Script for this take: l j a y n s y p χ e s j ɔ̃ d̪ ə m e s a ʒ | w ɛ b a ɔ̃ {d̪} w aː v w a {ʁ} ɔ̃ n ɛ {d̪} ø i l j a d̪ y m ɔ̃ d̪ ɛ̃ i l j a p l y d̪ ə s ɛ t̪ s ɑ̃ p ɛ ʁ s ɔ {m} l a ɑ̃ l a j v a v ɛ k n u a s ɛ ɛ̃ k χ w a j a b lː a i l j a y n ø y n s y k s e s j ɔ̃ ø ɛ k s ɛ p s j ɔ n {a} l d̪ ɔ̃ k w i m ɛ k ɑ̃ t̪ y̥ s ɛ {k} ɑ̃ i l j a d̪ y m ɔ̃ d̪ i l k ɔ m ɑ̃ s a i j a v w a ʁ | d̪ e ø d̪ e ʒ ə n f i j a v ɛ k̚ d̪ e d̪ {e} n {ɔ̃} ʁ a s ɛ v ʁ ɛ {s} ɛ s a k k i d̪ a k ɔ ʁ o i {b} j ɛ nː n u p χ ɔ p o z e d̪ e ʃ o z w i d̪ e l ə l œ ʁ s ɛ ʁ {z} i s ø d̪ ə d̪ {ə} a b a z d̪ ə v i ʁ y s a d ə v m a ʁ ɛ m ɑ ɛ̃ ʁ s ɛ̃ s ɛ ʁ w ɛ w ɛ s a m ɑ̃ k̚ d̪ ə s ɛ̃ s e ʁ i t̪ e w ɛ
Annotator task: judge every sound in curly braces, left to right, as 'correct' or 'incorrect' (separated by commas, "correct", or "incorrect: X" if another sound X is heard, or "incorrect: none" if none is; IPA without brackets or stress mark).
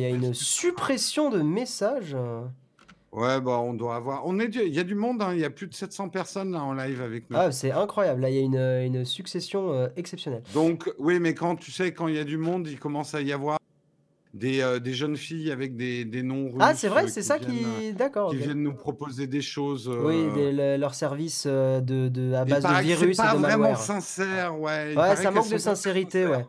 correct, correct, correct, incorrect: n, incorrect: ɛ, correct, correct, correct, correct, incorrect: v, incorrect: v, correct